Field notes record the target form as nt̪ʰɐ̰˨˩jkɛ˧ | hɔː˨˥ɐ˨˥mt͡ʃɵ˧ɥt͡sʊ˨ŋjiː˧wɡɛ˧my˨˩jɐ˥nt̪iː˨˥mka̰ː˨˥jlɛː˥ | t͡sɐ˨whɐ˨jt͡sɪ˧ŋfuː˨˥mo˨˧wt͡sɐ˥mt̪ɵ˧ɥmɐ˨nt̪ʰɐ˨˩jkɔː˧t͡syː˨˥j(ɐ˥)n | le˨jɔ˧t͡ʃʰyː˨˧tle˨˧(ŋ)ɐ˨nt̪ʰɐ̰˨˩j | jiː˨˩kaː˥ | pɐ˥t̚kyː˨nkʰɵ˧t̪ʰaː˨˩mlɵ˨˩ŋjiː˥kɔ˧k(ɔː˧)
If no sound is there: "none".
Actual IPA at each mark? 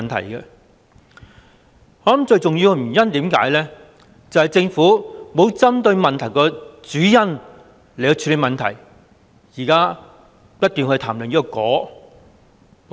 ɐ˥, m, ɔː˨˥

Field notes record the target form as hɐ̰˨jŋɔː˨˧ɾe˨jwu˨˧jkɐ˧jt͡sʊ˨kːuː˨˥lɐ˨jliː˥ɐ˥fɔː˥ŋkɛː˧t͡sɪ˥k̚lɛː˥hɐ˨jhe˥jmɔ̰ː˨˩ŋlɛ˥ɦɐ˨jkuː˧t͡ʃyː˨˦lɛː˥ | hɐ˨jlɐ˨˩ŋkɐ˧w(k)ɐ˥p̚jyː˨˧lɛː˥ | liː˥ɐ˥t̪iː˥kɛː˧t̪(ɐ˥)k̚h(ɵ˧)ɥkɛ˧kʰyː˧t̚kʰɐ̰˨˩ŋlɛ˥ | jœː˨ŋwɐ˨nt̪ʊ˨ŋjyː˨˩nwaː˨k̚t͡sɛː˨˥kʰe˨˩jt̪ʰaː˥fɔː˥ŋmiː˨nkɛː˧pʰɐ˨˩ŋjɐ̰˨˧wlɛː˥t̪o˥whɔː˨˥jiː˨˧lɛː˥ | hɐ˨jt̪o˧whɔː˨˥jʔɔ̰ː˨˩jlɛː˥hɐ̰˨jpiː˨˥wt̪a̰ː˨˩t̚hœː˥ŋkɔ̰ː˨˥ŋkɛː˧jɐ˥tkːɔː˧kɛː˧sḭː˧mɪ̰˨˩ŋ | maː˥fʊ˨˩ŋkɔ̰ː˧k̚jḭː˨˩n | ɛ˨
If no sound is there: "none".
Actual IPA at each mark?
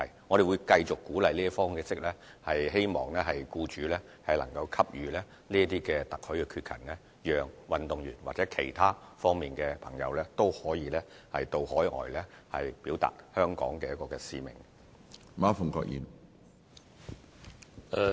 kʰ, ɐ˨, ɵ˨˥

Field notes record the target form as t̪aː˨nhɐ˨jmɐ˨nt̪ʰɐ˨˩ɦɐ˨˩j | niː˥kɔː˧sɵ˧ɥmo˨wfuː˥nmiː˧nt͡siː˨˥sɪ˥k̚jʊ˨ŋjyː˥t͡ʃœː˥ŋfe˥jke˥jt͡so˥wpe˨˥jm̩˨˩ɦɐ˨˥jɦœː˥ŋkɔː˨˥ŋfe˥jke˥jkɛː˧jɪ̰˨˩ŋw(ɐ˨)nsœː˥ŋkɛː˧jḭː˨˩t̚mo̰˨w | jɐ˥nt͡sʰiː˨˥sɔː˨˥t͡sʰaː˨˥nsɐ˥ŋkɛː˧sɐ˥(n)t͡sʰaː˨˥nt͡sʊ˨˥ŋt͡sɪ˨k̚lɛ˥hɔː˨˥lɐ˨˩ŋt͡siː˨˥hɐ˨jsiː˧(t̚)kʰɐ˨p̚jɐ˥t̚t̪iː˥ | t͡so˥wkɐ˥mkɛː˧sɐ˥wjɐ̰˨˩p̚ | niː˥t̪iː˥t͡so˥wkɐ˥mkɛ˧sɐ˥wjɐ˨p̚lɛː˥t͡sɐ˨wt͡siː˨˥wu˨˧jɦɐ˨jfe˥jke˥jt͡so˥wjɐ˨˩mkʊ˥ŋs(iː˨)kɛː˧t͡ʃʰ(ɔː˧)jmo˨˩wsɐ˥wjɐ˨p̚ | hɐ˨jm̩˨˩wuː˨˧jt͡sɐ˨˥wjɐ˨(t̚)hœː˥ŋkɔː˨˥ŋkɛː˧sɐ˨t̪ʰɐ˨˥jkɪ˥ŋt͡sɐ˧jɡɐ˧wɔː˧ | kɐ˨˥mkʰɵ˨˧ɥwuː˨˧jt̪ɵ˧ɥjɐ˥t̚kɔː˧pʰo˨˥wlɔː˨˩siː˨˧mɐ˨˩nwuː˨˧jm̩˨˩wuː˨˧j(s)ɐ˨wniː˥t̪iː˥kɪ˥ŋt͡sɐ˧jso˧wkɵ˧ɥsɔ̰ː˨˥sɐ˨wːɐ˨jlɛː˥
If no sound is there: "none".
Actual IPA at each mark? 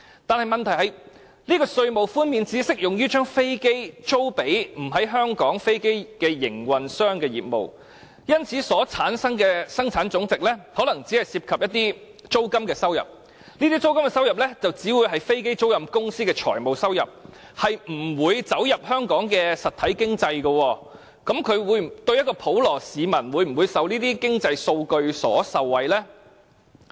ɐ˨, ŋ, p̚, iː˥, ɔː˨˩, p̚, s

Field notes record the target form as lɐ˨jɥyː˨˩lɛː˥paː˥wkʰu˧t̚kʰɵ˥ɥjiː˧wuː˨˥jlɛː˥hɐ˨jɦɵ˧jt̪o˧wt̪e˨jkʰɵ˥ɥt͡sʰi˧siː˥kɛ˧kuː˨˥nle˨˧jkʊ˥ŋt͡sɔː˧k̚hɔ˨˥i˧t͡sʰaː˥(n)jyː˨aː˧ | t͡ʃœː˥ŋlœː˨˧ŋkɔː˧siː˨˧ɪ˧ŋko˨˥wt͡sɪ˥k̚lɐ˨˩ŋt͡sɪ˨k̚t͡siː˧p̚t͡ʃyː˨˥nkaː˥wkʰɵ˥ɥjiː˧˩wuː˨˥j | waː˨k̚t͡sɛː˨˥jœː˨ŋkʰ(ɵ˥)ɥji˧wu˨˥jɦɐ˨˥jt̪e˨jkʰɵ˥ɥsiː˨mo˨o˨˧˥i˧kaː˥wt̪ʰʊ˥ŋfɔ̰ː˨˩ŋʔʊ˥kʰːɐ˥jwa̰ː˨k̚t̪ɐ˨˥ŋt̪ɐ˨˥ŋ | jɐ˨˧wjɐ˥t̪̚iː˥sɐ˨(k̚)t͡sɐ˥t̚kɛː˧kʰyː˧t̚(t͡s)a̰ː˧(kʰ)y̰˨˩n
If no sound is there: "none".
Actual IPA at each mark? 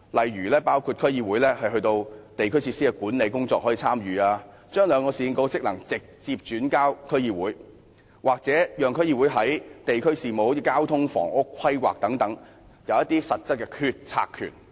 m, ɵ˥, t̚, t͡sʰ, kʰ

